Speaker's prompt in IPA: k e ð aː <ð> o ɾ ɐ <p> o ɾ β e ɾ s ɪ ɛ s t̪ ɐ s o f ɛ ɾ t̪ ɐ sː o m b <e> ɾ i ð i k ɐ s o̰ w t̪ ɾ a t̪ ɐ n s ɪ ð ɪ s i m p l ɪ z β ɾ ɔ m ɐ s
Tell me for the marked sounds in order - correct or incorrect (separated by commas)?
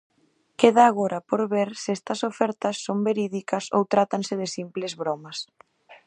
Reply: incorrect, correct, correct